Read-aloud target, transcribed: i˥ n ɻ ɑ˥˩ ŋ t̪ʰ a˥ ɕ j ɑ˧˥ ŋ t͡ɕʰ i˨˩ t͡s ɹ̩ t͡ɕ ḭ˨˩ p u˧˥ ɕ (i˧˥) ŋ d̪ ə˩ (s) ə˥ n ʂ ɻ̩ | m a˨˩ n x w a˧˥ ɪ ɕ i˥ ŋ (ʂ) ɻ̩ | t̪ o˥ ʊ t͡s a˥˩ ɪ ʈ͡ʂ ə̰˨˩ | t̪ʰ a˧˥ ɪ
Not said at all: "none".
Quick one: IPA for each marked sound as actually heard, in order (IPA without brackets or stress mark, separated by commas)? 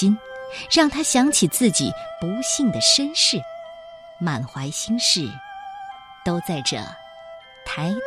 i˥˩, ʂ, ʂ